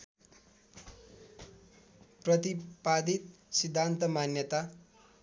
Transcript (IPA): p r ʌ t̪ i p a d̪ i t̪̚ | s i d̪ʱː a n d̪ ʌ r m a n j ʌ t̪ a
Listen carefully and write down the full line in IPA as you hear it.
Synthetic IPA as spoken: p r ʌ t̪ i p a d̪ i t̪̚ | s i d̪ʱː a n t̪ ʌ m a n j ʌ t̪ a